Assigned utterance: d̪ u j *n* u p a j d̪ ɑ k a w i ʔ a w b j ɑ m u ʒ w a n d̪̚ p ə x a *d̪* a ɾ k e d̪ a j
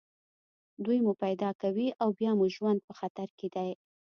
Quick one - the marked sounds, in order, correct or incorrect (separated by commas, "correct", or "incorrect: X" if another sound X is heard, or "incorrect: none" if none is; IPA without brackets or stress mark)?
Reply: incorrect: m, incorrect: t̪